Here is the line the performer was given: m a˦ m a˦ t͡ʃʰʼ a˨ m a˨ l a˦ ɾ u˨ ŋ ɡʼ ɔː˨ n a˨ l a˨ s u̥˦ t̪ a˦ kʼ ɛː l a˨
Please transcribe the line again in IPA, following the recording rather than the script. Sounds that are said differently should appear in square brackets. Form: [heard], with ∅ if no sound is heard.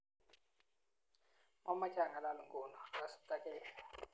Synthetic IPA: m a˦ m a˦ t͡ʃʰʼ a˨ [ŋ] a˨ l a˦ [l] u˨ ŋ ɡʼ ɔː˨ n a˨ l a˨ s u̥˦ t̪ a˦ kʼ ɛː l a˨